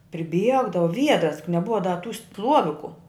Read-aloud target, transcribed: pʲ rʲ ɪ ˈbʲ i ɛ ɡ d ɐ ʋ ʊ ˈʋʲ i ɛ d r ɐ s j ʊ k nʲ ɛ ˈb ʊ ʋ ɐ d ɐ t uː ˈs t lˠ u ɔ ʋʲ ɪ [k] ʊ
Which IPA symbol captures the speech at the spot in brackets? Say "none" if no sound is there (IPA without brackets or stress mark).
k